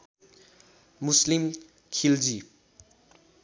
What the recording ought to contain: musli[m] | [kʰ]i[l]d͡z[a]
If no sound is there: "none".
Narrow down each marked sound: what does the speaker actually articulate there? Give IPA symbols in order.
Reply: m, kʰ, l, i

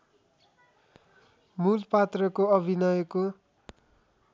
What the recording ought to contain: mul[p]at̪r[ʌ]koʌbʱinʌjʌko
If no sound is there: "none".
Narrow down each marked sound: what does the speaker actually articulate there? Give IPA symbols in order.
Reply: p, ʌ

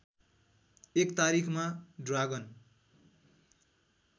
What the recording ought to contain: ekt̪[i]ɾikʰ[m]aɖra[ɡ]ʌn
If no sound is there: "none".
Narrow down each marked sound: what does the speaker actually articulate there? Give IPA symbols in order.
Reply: a, m, ɡ

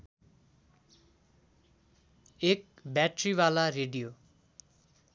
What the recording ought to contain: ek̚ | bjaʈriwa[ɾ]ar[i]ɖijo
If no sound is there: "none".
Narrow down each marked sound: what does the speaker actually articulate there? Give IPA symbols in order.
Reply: l, e

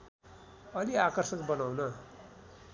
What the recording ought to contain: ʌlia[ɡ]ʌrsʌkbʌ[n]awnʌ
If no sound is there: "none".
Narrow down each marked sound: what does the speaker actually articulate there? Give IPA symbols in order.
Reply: k, n

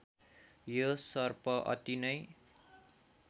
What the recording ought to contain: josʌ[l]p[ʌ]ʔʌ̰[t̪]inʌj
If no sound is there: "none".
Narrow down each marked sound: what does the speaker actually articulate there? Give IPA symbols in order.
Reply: r, ʌ, t̪

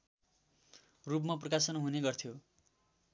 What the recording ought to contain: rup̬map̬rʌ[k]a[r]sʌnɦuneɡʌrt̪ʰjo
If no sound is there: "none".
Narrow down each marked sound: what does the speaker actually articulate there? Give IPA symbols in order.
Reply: k, none

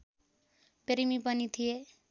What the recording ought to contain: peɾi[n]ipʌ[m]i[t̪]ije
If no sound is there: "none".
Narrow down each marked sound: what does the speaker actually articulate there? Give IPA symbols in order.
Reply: m, n, t̪ʰ

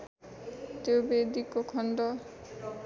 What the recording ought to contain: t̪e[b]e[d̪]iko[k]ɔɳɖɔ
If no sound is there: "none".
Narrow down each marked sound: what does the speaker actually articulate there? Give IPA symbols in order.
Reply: b, d̪, kʰ

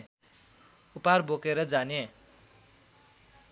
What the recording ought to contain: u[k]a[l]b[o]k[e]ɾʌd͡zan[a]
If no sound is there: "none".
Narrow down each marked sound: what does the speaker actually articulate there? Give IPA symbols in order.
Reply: p, r, o, e, e

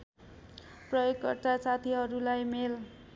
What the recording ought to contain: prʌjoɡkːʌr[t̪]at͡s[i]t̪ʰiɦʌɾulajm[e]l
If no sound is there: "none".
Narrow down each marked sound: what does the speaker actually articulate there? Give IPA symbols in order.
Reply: t̪, a, e

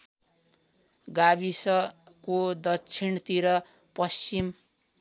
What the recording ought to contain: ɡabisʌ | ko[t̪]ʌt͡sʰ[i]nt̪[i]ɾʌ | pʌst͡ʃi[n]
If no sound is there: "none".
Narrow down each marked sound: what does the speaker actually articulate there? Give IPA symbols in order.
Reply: d̪, i, i, m

